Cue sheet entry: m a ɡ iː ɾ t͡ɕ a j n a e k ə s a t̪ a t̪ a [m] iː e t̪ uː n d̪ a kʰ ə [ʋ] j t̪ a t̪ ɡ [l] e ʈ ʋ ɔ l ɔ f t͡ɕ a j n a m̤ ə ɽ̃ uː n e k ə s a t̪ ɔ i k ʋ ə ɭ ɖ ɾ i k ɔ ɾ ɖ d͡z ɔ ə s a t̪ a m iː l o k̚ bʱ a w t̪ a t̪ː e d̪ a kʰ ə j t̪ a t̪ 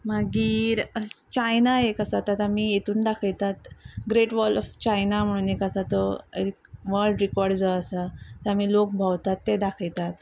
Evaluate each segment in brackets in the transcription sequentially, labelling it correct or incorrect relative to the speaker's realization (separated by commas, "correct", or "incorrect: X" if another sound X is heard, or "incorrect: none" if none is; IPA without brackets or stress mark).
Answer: correct, incorrect: none, incorrect: ɾ